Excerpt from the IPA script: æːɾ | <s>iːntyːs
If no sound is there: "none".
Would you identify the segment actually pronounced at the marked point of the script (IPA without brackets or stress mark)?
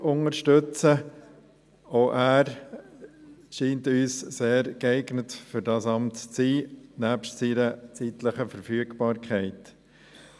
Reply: ʃ